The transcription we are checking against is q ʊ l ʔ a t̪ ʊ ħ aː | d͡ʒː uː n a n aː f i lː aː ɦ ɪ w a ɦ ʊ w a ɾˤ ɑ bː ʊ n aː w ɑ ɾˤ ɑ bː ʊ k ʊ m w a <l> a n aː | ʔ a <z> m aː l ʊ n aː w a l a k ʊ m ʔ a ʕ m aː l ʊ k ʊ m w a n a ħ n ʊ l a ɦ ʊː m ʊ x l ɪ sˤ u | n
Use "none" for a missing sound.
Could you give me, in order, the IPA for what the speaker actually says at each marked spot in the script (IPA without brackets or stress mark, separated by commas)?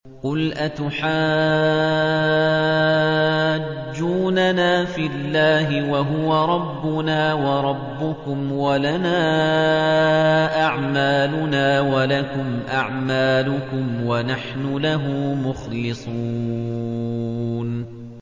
l, ʕ